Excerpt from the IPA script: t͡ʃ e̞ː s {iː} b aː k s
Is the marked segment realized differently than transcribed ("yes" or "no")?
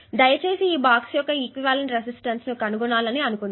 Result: no